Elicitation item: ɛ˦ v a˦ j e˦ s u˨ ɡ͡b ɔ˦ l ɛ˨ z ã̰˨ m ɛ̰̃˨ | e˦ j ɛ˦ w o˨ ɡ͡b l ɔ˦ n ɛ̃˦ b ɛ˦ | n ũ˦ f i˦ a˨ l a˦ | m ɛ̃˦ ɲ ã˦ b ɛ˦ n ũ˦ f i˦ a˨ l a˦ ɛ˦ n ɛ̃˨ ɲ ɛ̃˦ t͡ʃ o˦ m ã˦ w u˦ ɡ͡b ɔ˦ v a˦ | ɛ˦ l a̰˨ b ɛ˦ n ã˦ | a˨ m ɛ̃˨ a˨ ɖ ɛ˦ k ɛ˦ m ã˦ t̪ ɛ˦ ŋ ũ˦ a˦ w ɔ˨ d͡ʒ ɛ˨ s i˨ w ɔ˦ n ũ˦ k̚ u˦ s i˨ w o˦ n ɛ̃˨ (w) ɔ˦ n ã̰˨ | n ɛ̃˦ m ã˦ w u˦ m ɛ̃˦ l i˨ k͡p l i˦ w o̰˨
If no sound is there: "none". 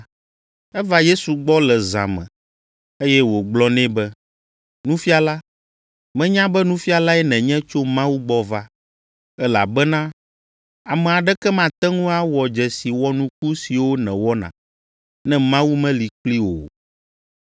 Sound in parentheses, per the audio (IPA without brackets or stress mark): w